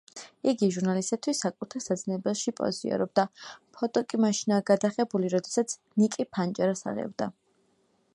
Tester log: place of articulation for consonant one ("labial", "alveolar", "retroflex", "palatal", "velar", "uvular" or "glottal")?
velar